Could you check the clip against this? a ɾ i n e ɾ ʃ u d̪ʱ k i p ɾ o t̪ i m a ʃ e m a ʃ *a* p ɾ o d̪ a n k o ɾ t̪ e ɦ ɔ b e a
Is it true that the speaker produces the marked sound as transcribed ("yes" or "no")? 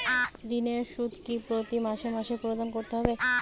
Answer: no